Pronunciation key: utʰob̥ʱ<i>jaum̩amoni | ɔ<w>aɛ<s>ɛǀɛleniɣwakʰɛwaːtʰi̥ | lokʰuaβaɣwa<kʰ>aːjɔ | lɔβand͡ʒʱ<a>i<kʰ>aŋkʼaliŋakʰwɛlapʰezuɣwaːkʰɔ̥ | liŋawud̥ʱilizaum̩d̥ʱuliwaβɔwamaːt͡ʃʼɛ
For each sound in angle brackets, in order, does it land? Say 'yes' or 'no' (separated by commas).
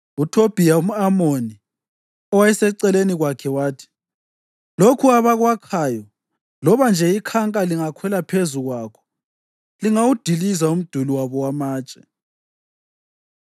yes, yes, yes, yes, no, yes